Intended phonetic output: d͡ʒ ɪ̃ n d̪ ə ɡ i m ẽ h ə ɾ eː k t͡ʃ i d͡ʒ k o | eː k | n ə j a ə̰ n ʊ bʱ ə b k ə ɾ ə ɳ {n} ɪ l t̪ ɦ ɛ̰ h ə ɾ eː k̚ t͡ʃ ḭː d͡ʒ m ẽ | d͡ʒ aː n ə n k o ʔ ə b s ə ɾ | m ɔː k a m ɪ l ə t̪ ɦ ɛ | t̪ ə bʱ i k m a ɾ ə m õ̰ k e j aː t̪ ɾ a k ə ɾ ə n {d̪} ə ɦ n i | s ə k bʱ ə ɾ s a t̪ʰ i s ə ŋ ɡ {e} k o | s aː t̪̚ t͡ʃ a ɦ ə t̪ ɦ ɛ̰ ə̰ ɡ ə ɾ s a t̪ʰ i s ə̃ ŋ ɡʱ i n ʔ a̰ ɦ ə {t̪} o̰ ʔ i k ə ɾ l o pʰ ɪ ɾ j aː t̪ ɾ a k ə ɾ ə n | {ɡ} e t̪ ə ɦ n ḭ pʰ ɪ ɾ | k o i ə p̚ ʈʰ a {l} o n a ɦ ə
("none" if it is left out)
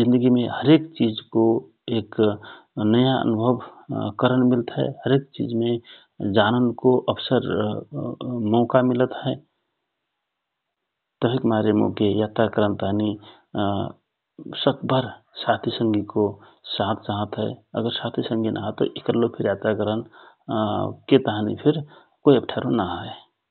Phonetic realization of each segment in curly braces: m, t̪, i, t̪, k, ɾ

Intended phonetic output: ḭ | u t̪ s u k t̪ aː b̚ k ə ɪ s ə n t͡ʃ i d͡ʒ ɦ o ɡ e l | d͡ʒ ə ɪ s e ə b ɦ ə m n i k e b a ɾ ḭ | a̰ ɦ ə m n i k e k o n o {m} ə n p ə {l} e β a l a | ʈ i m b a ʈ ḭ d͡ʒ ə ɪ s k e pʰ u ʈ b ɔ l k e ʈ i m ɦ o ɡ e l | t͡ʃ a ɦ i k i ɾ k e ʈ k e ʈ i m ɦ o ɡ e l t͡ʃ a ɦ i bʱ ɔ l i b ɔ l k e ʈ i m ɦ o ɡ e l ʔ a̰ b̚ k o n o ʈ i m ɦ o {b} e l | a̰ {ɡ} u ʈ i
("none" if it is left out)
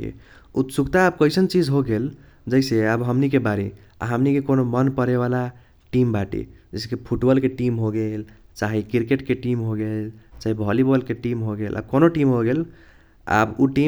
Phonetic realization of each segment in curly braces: m, ɾ, ɡ, b

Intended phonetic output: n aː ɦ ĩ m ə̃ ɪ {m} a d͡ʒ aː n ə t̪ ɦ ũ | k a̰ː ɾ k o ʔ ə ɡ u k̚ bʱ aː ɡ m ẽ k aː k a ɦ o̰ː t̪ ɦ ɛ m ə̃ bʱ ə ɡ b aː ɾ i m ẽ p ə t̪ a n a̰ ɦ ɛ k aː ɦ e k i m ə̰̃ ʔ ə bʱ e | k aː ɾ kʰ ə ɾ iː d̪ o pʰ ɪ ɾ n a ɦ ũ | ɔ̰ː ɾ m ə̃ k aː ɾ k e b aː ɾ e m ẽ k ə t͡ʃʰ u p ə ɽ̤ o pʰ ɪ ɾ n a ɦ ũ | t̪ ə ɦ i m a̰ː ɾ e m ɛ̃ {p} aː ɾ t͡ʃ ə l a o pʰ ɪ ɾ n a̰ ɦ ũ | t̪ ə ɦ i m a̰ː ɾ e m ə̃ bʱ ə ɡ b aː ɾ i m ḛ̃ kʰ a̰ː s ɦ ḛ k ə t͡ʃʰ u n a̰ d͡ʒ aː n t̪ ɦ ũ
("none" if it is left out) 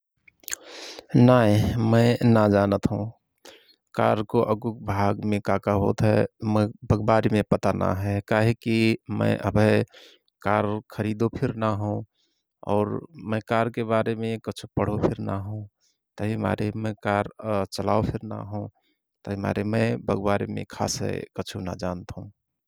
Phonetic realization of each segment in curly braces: n, k

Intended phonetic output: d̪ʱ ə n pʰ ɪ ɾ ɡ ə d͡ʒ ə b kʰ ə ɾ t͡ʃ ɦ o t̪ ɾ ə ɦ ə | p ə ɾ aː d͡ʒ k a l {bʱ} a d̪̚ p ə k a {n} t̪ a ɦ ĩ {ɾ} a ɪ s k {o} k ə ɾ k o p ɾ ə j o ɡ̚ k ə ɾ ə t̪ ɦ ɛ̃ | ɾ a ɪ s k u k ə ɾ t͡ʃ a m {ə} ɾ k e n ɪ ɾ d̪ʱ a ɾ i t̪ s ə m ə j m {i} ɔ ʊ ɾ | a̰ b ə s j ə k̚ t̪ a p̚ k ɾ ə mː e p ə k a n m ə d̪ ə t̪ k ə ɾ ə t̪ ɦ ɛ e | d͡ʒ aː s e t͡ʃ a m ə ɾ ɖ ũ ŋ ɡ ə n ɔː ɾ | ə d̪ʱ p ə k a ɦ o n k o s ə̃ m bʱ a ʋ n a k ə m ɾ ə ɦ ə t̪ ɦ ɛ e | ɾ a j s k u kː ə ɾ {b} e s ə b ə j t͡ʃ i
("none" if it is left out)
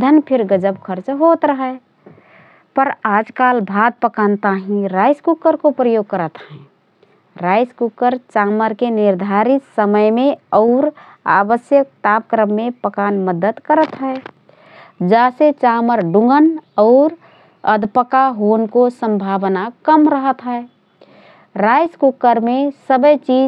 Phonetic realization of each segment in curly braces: bʱ, n, ɾ, u, ə, e, m

